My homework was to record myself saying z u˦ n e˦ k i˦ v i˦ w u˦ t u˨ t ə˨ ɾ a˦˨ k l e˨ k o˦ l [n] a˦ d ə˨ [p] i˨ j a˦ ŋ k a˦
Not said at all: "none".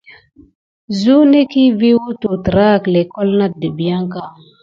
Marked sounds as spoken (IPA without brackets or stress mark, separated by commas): n, b